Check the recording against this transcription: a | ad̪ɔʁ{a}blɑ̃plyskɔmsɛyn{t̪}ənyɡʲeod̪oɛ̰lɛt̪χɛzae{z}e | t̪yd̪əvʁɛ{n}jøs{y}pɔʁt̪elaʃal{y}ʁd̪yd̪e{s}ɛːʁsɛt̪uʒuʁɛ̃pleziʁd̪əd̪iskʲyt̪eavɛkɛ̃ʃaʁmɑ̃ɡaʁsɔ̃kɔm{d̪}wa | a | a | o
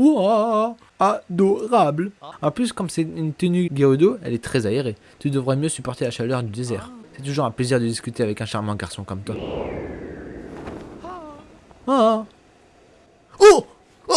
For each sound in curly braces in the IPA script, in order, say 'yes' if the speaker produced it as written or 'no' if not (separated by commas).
yes, yes, no, no, yes, no, no, no